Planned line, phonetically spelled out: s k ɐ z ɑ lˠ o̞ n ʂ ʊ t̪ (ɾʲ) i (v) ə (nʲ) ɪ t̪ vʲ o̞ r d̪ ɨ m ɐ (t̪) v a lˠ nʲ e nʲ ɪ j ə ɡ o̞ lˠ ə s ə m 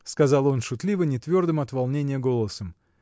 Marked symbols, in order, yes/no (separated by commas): no, yes, yes, yes